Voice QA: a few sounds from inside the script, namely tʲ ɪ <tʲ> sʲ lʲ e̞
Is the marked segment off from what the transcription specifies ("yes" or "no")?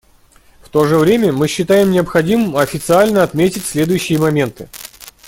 no